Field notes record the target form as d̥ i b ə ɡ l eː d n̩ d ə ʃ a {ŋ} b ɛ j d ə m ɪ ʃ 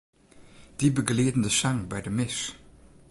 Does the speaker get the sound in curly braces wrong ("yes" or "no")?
no